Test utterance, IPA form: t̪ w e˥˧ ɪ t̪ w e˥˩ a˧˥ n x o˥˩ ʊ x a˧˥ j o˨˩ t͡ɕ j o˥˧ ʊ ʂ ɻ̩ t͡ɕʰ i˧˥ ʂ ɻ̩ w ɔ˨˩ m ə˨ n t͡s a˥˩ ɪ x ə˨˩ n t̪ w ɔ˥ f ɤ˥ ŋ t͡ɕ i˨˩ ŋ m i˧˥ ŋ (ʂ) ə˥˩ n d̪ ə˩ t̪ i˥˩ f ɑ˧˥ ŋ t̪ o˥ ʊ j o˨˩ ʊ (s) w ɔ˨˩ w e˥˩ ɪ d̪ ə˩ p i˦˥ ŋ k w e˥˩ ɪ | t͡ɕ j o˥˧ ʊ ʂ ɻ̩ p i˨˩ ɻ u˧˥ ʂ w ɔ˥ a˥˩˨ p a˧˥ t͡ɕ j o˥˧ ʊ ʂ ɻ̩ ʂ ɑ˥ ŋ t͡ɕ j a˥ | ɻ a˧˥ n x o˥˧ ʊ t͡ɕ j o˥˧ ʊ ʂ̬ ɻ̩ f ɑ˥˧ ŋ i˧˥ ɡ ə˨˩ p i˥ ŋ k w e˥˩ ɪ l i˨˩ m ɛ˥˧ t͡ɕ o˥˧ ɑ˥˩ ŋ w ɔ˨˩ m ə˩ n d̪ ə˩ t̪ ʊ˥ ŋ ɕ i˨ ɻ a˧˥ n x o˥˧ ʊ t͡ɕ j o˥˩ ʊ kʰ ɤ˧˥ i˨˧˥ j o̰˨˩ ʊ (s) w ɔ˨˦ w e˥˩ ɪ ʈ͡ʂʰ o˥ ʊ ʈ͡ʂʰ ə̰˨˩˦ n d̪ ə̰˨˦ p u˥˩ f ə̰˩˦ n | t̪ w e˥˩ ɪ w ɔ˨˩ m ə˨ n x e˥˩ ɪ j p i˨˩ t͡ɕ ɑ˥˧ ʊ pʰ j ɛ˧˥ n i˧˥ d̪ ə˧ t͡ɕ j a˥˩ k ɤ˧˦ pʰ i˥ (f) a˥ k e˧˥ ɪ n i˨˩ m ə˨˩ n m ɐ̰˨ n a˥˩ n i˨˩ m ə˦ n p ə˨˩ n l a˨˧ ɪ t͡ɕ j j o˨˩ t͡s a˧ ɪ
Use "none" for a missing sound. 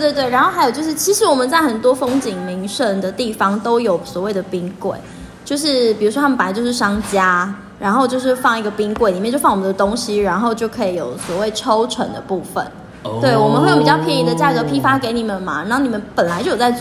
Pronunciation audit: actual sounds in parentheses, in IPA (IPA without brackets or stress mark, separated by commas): ʂ, s, s, f